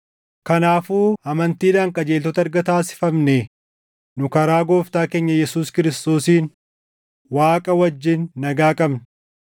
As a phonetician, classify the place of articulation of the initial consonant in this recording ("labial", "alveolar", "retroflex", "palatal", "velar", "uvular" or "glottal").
velar